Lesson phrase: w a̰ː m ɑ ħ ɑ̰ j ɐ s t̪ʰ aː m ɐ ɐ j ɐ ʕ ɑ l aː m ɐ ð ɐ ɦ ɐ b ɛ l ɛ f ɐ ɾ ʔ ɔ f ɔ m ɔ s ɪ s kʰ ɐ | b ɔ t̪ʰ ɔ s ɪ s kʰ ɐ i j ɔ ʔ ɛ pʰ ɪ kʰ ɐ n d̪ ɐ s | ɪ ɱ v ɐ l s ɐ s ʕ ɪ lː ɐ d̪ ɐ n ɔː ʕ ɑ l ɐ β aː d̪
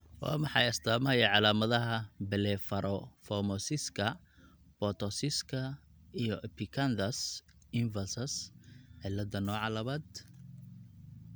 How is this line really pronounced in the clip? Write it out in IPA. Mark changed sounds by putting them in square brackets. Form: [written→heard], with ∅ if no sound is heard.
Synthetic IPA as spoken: w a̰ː m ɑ ħ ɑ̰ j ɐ s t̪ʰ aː m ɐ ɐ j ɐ ʕ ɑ l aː m ɐ ð ɐ ɦ ɐ b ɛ l ɛ f ɐ ɾ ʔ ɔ f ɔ m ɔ s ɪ s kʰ ɐ | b ɔ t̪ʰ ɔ s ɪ s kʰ ɐ i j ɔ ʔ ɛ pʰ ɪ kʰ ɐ n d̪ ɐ s | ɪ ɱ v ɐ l s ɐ s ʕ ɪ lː ɐ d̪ ɐ n ɔː ʕ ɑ l ɐ β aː d̪